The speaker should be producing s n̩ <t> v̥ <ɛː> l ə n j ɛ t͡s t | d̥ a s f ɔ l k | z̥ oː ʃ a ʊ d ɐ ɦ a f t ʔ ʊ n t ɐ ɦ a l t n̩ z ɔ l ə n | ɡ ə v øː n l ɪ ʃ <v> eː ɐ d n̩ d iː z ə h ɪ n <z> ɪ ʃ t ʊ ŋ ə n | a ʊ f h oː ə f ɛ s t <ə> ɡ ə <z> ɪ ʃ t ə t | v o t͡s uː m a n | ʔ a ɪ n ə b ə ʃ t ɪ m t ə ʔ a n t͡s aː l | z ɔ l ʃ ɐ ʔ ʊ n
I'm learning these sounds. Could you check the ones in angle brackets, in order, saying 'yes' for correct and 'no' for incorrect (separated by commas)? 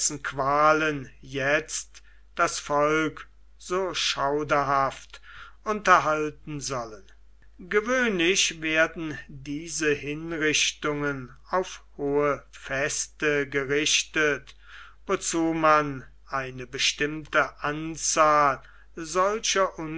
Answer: no, no, yes, no, yes, no